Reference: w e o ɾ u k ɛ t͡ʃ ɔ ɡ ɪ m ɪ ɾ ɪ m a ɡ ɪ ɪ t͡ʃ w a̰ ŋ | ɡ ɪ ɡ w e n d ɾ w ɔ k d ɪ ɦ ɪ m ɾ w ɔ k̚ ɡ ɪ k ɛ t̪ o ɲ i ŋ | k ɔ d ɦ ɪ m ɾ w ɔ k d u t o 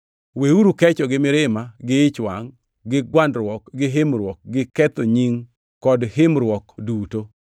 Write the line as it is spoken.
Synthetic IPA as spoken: w e u ɾ u k ɛ t͡ʃ ɔ ɡ ɪ m ɪ ɾ ɪ m a ɡ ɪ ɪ t͡ʃ w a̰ ŋ | ɡ ɪ ɡ w a n d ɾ w ɔ k ɡ ɪ ɦ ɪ m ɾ w ɔ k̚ ɡ ɪ k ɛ t̪ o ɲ i ŋ | k ɔ d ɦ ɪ m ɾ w ɔ k d u t o